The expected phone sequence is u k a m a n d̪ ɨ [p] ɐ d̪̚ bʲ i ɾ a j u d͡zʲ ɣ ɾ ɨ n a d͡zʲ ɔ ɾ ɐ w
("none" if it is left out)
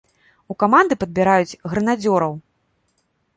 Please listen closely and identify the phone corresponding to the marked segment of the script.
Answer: p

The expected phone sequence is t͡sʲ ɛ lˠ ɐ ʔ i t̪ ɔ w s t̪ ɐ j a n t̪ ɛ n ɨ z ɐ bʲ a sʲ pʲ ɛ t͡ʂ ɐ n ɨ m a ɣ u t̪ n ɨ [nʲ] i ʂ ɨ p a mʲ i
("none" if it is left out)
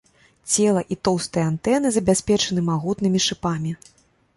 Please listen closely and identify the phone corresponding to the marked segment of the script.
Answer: mʲ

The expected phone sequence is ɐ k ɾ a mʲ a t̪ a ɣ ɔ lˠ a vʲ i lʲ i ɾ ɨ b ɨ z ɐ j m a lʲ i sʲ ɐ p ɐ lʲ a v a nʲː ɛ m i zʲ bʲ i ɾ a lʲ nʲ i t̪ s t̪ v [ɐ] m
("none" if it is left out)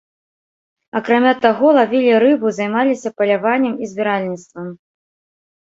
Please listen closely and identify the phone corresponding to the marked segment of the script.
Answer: ɐ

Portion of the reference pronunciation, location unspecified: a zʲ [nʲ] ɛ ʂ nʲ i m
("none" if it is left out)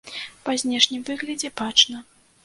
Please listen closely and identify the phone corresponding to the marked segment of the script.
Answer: nʲ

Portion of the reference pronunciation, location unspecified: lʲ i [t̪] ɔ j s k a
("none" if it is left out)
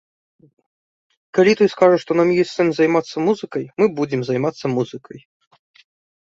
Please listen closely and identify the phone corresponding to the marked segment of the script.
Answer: t̪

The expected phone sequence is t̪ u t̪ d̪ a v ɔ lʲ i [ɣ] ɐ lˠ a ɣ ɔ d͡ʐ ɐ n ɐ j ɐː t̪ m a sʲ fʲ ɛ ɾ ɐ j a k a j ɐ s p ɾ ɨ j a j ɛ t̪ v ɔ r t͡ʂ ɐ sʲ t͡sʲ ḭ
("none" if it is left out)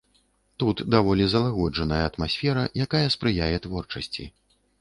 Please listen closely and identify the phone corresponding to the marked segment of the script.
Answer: z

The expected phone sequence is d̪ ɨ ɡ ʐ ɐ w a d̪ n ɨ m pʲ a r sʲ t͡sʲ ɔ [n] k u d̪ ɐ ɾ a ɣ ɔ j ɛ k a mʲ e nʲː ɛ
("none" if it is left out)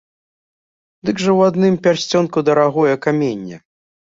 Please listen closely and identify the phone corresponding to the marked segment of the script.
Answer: n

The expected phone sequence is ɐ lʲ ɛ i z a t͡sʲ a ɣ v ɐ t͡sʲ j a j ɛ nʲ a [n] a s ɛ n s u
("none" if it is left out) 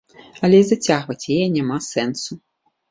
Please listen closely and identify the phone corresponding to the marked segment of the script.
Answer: m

